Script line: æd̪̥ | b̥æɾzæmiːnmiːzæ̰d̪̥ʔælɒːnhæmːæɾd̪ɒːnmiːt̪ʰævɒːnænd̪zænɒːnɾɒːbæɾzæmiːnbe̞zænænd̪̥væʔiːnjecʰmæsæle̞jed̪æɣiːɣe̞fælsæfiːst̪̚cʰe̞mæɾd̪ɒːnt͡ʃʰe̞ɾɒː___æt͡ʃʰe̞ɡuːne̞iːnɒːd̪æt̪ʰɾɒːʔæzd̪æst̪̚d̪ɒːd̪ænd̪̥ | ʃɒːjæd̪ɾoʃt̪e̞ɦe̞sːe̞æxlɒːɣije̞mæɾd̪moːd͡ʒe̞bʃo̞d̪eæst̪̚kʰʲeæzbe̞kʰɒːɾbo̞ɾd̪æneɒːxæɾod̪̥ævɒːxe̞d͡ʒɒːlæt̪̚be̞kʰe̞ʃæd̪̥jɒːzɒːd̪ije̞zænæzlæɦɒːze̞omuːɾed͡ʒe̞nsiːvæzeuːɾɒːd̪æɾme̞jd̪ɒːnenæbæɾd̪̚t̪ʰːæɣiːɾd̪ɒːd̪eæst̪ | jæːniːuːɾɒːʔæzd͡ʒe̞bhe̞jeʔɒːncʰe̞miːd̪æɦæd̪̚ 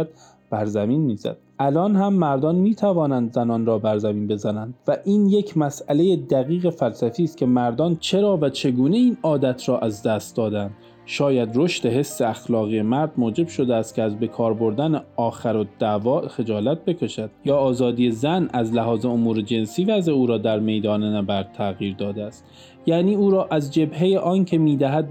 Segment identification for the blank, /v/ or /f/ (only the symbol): v